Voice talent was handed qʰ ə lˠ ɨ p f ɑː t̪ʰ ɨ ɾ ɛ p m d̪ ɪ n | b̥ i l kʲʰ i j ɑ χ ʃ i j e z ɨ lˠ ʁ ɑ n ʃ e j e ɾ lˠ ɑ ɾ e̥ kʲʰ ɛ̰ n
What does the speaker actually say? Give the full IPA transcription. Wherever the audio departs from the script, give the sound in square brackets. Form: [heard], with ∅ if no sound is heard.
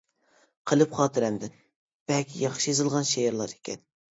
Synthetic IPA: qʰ ə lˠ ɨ p [χ] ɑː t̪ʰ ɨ ɾ ɛ [∅] m d̪ ɪ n | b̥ [ɛ] l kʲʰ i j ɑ χ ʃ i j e z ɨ lˠ ʁ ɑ n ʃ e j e ɾ lˠ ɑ ɾ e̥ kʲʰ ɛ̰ n

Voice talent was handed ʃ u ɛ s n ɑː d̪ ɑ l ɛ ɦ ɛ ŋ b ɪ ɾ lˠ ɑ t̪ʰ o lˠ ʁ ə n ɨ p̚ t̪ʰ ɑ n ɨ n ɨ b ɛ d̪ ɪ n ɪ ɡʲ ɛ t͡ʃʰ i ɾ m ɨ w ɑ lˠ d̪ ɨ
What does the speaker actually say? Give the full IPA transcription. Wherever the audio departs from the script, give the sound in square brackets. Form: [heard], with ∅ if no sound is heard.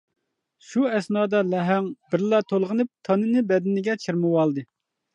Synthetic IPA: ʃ u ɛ s n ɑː d̪ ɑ l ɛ ɦ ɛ ŋ b ɪ ɾ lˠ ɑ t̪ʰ o lˠ ʁ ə n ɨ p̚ t̪ʰ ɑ n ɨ n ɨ b ɛ d̪ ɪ n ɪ ɡʲ ɛ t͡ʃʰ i ɾ m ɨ w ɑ lˠ d̪ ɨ

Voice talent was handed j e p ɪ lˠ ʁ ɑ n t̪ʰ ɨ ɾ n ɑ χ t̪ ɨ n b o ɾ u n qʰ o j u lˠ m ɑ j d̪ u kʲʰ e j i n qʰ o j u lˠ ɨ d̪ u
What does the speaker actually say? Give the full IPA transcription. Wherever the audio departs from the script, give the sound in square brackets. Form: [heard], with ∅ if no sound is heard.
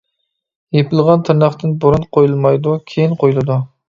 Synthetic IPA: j e p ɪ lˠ ʁ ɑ n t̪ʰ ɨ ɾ n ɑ χ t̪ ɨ n b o ɾ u n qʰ o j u lˠ m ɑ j d̪ u kʲʰ e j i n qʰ o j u lˠ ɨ d̪ u

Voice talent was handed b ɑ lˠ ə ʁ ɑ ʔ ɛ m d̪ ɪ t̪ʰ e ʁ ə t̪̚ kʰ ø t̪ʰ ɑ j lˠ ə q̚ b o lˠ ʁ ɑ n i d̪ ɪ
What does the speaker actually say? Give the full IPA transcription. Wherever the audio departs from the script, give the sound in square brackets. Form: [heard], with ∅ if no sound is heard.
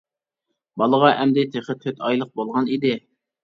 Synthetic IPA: b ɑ lˠ ə ʁ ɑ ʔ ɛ m d̪ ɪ t̪ʰ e [χ] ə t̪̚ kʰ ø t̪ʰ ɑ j lˠ ə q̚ b o lˠ ʁ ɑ n i d̪ ɪ

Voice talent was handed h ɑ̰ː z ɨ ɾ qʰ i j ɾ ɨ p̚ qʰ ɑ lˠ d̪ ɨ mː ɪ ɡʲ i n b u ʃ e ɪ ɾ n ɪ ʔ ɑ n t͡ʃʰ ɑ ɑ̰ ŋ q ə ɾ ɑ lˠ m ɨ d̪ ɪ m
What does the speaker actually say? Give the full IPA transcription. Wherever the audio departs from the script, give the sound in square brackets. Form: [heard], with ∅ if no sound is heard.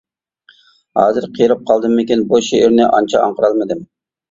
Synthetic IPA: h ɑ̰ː z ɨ ɾ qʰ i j ɾ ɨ p̚ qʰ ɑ lˠ d̪ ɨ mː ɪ [kʲ] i n b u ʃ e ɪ ɾ n ɪ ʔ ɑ n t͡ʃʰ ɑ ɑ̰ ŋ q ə ɾ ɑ lˠ m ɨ d̪ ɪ m

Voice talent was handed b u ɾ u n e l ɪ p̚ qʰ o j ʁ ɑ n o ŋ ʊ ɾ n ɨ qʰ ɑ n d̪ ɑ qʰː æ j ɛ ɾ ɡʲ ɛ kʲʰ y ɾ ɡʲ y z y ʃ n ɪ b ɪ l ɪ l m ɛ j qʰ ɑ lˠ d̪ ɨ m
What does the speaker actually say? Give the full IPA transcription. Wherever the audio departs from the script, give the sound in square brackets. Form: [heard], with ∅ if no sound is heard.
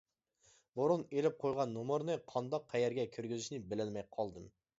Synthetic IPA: b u ɾ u n e l ɪ p̚ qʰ o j ʁ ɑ [nː] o [m] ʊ ɾ n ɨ qʰ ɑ n d̪ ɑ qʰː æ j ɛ ɾ ɡʲ ɛ kʲʰ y ɾ ɡʲ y z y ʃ n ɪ b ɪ l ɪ l m ɛ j qʰ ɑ lˠ d̪ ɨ m

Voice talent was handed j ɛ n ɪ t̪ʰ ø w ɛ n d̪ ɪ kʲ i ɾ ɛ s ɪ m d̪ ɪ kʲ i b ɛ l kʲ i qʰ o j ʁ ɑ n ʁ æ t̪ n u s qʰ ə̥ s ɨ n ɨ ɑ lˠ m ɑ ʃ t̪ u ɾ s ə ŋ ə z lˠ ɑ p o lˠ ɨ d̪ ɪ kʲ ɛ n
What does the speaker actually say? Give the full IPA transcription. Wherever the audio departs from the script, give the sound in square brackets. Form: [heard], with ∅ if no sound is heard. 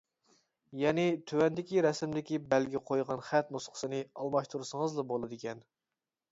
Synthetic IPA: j ɛ n ɪ t̪ʰ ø w ɛ n d̪ ɪ kʲ i ɾ ɛ s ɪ m d̪ ɪ kʲ i b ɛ l [ɡʲ] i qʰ o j ʁ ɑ n [χ] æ t̪ n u s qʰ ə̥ s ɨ n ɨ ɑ lˠ m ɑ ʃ t̪ u ɾ s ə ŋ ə z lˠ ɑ [b] o lˠ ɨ d̪ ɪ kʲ ɛ n

